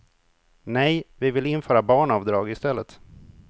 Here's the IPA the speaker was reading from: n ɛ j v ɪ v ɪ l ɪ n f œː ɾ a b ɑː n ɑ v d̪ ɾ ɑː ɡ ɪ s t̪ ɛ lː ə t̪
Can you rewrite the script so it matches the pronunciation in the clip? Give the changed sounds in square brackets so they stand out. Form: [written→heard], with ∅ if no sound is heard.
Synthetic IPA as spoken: n ɛ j v ɪ v ɪ l ɪ n f œː ɾ a b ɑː [n→ɳ] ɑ v d̪ ɾ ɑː ɡ ɪ s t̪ ɛ lː ə t̪

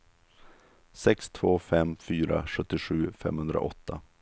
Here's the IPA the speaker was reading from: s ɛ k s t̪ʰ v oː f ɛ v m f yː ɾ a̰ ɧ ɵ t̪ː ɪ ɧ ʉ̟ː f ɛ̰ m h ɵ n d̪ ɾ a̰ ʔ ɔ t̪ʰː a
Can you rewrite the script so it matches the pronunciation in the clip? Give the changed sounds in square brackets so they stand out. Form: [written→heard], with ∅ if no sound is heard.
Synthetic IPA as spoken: s ɛ k s t̪ʰ v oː f ɛ [v→∅] m f yː ɾ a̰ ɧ ɵ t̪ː ɪ ɧ ʉ̟ː f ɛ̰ m h ɵ n d̪ ɾ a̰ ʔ ɔ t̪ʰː a

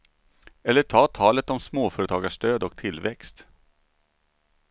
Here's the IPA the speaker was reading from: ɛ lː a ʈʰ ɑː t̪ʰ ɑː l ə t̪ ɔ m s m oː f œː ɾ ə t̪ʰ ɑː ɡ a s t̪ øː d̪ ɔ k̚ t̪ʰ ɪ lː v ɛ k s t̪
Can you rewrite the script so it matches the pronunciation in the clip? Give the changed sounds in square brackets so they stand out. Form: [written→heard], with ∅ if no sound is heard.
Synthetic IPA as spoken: ɛ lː [a→ə] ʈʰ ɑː t̪ʰ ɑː l ə t̪ ɔ m s m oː f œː ɾ ə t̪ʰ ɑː ɡ a [s→ʂ] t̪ øː d̪ ɔ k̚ t̪ʰ ɪ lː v ɛ k s t̪

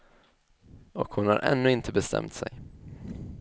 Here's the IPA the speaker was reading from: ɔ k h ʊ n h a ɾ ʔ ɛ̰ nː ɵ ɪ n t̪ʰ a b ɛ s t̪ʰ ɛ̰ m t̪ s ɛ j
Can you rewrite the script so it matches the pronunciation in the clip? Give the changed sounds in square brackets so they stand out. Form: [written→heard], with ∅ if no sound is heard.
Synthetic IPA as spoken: ɔ k h ʊ n h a ɾ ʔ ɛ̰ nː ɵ ɪ n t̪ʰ [a→ə] b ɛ s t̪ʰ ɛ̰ m t̪ s ɛ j

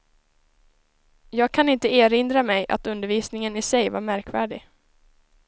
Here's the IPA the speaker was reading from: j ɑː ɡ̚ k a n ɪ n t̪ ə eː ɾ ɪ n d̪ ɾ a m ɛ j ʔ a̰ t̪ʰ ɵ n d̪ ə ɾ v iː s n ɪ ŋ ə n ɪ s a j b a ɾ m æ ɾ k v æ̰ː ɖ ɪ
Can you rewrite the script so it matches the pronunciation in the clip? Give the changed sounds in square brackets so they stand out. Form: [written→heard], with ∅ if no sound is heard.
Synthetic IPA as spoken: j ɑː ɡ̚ [k→kʰ] a n ɪ n t̪ ə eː ɾ ɪ n d̪ ɾ a m ɛ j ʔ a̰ [t̪ʰ→t̪] ɵ n d̪ ə ɾ v iː s n ɪ ŋ ə n ɪ s [a→ɛ] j [b→v] a ɾ m æ ɾ k v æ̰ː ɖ ɪ

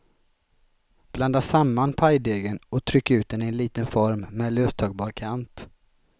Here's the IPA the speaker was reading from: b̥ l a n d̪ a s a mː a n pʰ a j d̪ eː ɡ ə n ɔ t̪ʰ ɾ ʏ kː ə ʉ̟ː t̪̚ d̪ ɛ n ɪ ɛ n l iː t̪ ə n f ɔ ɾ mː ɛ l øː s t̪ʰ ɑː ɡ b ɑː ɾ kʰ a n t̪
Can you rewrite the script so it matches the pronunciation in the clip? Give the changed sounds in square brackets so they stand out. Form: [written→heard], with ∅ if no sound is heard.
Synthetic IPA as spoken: b̥ l a n d̪ a s a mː a n pʰ a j d̪ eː ɡ ə n ɔ t̪ʰ ɾ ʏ kː [ə→a] ʉ̟ː t̪̚ d̪ ɛ n ɪ ɛ n l iː t̪ ə n f ɔ ɾ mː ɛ l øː s t̪ʰ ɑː ɡ b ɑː ɾ kʰ a n t̪

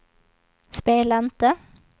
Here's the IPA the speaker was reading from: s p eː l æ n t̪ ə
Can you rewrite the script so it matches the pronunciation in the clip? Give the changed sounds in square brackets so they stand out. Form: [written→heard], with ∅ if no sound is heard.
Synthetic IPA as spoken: s p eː l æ n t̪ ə

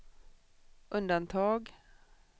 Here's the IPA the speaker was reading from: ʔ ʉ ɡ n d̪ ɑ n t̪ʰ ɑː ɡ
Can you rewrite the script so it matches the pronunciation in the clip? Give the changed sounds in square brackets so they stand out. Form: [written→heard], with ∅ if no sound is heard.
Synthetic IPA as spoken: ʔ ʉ [ɡ→∅] n d̪ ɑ n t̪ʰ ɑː ɡ

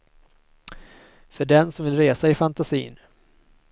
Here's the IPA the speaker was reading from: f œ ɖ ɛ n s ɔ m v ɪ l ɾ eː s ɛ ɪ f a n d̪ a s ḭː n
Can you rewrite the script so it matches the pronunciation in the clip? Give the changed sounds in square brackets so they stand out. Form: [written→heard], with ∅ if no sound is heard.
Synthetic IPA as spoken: f œ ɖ ɛ n s ɔ m v ɪ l ɾ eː s [ɛ→a] ɪ f a n [d̪→t̪] a s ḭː n

